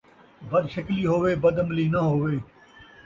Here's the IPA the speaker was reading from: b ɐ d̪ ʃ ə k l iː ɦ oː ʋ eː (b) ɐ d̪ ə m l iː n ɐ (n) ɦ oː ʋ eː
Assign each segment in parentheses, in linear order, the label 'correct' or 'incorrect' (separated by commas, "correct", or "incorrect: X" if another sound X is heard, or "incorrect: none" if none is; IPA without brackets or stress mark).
correct, incorrect: none